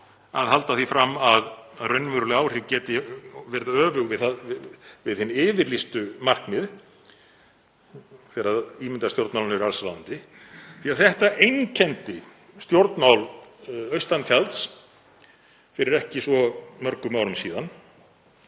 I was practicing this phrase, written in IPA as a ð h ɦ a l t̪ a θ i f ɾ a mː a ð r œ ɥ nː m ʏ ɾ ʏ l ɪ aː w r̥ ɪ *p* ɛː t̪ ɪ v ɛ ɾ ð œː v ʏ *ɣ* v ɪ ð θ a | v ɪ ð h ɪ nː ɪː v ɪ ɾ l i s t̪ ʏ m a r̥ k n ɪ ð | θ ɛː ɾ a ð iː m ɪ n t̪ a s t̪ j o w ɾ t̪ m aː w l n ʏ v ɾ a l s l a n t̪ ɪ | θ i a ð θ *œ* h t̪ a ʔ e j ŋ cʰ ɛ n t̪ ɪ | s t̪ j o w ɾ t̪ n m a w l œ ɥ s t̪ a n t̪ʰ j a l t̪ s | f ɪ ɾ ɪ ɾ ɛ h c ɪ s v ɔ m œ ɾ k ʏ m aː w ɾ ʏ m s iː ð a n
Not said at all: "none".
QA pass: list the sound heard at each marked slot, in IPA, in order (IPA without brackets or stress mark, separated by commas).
c, ɣ, ɛ